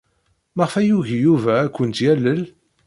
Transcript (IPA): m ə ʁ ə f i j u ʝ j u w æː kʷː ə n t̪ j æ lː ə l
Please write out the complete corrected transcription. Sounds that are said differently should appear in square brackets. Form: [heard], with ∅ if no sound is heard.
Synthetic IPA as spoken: m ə ʁ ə f [æ] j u ʝ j u [v] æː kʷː ə n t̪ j æ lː ə l

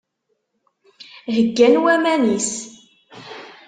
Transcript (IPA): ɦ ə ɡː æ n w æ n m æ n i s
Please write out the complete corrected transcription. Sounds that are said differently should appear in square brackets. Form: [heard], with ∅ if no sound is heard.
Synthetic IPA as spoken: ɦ ə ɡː æ n w æ [∅] m æ n i s

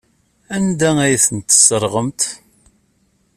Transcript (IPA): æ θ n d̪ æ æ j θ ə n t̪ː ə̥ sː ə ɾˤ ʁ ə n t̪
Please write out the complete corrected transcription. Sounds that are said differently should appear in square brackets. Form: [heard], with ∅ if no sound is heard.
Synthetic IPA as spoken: æ [∅] n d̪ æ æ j θ ə n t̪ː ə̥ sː ə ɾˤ ʁ ə [m] t̪

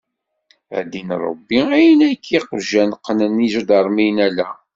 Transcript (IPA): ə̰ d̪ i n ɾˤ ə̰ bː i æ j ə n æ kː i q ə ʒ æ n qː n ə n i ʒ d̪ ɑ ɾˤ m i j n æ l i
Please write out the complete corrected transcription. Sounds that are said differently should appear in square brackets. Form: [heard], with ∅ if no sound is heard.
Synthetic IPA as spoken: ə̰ d̪ i n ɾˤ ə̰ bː i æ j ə n æ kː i q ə ʒ æ n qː n ə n i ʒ d̪ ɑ ɾˤ m i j n æ l [æ]

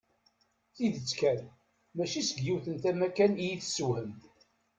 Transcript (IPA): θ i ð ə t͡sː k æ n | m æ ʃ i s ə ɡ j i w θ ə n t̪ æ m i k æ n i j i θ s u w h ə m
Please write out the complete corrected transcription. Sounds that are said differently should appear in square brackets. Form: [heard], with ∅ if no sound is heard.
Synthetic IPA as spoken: θ i ð ə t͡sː k æ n | m æ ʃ i s ə ɡ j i w θ ə n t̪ æ m [æ] k æ n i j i θ s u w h ə m

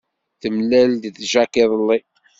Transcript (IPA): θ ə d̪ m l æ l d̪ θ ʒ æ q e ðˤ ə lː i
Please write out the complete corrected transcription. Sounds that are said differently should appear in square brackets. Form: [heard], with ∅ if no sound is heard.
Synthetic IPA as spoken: θ ə [∅] m l æ l d̪ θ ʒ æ [k] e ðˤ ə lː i

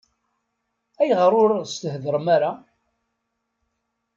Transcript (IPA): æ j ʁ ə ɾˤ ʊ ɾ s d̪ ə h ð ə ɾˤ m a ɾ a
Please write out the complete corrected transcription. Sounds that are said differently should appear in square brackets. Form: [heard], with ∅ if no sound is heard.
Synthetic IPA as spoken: æ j ʁ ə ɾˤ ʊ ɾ s [t̪] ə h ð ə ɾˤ m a ɾ a

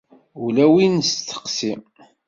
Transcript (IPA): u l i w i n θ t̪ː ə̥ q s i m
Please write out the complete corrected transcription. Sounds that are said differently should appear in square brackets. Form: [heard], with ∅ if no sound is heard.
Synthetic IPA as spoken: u l [æ] w i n [s] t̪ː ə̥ q s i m

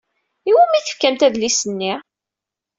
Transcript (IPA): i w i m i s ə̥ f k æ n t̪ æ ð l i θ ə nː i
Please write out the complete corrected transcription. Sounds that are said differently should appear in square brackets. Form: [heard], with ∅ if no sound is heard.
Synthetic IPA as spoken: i w [æ] m i [θ] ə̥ f k æ [m] t̪ æ ð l i [s] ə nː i

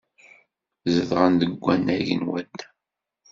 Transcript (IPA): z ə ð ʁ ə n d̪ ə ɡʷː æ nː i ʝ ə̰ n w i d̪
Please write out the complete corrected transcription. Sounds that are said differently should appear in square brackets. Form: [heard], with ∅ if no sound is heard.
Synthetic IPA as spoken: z ə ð ʁ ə n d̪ ə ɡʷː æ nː [æ] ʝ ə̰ n w [æ] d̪

